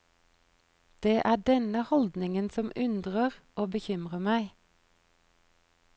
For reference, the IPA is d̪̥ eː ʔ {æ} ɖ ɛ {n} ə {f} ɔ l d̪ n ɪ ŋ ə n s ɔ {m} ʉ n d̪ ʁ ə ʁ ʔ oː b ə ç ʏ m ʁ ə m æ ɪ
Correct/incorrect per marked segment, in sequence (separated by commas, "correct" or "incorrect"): incorrect, correct, incorrect, correct